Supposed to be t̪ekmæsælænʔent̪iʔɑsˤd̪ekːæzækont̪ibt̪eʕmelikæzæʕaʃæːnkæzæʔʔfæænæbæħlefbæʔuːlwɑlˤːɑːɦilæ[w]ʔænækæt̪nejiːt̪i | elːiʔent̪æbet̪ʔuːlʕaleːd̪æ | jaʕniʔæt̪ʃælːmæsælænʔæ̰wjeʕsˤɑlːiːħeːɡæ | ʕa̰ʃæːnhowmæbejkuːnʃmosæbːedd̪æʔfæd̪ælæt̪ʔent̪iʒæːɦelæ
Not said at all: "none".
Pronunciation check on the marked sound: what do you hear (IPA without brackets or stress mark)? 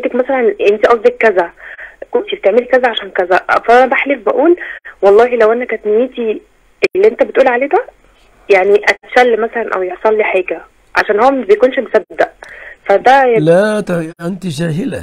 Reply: w